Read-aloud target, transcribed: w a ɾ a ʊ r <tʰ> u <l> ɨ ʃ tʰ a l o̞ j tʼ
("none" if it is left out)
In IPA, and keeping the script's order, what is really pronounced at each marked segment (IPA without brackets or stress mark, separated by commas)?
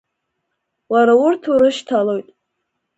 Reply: tʰ, ɾ